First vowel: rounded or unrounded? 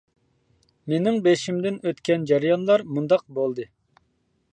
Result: unrounded